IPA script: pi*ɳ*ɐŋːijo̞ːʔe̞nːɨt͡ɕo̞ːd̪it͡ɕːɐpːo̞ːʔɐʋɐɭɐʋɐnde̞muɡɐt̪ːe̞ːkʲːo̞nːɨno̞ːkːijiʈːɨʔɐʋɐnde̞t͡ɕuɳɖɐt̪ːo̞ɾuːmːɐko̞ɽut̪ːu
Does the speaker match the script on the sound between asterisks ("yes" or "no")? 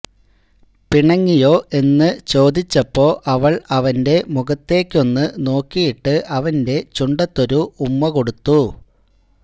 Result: yes